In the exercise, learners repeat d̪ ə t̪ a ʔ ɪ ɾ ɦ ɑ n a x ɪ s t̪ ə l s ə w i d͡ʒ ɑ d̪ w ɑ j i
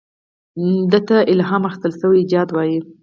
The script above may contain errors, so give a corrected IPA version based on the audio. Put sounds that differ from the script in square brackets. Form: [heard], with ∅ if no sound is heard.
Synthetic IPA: d̪ ə t̪ a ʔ ɪ [l] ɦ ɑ [m] a x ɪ s t̪ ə l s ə w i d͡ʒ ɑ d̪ w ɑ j i